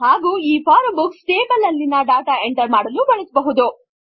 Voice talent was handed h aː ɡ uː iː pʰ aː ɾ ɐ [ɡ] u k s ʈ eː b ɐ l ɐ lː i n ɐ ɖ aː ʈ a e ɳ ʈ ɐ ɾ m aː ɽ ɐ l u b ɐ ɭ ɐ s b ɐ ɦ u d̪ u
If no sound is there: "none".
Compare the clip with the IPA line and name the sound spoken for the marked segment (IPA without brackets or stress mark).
b